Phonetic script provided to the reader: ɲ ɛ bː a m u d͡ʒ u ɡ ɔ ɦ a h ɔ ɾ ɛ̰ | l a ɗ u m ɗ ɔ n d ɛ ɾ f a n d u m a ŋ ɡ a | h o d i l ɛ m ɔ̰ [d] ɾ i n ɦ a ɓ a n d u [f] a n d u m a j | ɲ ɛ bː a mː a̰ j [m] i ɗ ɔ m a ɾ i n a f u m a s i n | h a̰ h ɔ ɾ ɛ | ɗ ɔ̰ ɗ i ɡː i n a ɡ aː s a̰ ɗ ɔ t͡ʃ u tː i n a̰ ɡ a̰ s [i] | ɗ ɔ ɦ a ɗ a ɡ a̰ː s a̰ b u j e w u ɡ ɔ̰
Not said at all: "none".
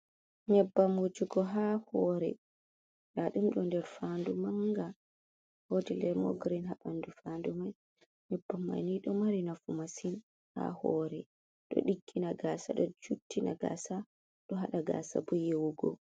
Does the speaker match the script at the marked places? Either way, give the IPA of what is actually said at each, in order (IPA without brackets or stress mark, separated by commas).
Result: ɡ, f, n, a